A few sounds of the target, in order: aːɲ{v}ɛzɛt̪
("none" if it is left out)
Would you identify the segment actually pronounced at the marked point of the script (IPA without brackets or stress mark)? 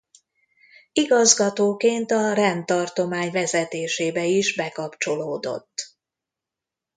v